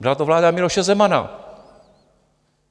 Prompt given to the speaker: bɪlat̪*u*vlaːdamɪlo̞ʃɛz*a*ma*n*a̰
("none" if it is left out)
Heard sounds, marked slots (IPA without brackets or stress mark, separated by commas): o, ɛ, n